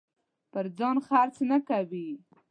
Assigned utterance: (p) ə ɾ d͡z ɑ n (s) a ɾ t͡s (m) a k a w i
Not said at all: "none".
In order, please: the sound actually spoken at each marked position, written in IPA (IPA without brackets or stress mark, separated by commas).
p, x, n